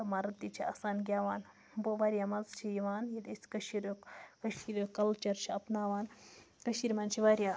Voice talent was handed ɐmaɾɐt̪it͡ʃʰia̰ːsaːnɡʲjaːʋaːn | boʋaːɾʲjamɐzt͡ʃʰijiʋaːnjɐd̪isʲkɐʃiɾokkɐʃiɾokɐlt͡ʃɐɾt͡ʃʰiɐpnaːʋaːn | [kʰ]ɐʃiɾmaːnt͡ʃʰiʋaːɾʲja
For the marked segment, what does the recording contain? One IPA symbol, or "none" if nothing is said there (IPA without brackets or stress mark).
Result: k